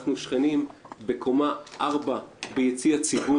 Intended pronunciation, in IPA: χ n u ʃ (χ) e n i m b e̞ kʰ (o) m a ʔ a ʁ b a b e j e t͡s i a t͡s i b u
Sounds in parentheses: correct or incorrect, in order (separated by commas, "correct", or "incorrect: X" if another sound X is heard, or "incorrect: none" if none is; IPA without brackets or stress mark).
correct, correct